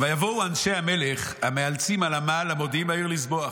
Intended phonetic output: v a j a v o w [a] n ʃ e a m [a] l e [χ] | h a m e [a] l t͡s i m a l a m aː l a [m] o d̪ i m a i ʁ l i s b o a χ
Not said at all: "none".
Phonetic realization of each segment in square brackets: a, e, χ, a, m

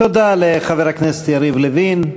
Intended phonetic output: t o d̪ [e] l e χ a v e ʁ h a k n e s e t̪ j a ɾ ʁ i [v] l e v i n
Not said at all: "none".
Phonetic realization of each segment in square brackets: a, v

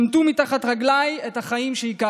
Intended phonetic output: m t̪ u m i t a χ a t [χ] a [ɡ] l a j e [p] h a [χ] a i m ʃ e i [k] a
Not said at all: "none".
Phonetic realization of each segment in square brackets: ʁ, ɡ, t, χ, k

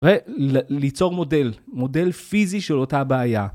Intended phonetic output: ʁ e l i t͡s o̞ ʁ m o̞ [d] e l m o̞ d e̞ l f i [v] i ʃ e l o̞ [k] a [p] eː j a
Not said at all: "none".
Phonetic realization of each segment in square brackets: d, z, t, b

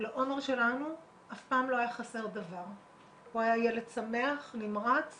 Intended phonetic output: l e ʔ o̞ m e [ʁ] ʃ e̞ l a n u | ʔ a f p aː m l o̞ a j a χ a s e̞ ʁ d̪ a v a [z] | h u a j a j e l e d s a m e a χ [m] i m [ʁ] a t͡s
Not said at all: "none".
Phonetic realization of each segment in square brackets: ʁ, ʁ, n, ʁ

